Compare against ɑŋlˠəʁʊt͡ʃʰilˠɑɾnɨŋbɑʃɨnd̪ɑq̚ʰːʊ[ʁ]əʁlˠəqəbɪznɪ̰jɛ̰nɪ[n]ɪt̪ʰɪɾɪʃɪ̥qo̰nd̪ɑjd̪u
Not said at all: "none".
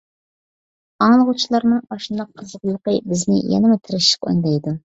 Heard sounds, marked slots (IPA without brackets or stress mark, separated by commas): z, m